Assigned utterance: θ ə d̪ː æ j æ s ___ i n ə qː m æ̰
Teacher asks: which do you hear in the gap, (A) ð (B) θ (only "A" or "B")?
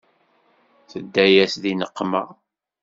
A